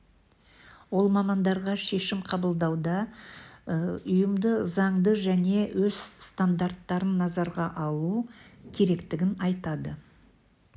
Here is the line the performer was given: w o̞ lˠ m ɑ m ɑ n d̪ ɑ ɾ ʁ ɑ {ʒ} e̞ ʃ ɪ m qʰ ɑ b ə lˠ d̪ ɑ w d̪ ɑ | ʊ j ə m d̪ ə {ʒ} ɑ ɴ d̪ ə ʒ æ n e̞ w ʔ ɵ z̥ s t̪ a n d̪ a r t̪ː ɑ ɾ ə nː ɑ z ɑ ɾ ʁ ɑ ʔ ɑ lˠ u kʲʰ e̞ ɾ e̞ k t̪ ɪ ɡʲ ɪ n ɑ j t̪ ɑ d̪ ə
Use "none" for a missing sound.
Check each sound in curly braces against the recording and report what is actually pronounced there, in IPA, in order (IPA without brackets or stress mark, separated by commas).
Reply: ʃ, z